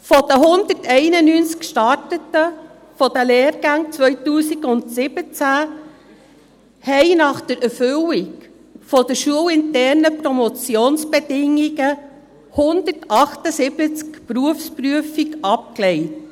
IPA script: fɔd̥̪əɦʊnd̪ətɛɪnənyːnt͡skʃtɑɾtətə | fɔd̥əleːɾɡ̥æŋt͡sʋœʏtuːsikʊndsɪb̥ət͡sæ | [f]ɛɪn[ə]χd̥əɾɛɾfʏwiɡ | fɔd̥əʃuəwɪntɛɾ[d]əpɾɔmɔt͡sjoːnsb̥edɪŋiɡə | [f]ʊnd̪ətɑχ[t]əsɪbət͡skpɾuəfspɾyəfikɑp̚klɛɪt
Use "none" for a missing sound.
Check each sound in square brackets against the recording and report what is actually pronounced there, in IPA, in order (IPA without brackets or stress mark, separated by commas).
h, ɑ, n, h, t